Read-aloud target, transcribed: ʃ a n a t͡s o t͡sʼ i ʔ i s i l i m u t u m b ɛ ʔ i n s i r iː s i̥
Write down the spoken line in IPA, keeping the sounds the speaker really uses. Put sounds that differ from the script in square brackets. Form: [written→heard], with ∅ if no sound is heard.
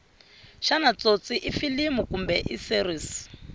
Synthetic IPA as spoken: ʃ a n a t͡s o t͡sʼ i ʔ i [s→f] i l i m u [t→k] u m b ɛ ʔ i [n→∅] s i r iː s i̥